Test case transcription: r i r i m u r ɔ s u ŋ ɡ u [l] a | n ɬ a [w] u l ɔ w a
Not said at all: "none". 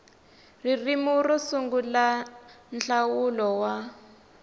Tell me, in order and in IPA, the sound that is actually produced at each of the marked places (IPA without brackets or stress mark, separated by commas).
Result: l, w